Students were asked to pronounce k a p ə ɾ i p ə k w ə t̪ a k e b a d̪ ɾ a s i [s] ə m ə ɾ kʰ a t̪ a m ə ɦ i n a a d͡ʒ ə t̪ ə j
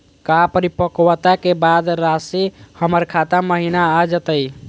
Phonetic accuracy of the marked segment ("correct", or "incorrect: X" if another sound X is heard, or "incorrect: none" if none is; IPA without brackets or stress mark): incorrect: h